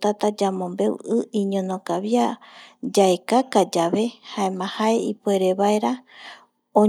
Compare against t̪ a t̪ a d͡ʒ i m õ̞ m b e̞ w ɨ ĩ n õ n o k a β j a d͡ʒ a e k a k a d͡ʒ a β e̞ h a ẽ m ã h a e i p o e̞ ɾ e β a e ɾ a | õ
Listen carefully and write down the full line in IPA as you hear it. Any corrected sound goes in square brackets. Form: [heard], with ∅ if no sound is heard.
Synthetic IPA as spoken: t̪ a t̪ a d͡ʒ [a] m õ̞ m b e̞ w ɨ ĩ [ɲ] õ n o k a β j a d͡ʒ a e k a k a d͡ʒ a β e̞ h a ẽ m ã h a e i p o e̞ ɾ e β a e ɾ a | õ